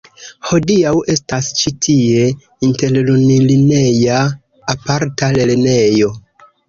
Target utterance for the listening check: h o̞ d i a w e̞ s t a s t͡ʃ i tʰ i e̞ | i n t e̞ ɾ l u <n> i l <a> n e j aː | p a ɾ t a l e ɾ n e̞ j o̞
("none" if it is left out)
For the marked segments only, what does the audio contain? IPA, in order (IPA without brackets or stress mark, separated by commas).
n, i